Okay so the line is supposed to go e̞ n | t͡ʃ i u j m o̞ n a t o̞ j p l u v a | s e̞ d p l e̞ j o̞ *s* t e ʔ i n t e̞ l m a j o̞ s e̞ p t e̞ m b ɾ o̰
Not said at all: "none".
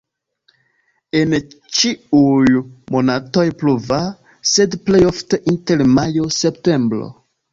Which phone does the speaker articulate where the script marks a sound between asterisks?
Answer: f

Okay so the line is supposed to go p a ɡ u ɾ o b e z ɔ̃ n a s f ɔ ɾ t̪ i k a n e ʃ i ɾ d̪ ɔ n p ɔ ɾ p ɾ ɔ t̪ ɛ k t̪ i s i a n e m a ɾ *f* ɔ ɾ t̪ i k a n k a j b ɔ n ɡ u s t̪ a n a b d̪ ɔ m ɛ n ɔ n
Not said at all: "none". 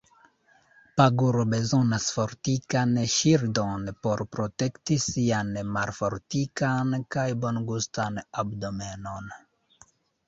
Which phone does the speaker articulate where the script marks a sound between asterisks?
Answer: f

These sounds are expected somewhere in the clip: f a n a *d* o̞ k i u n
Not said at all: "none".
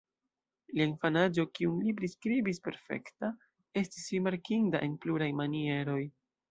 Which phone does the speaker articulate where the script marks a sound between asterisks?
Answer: d͡ʒ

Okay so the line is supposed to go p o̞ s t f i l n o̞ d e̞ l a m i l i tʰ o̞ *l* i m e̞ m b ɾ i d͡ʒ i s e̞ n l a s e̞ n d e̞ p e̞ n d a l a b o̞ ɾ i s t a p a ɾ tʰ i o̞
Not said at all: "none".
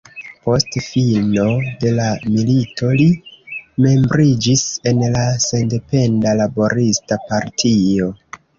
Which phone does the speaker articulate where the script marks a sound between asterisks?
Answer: l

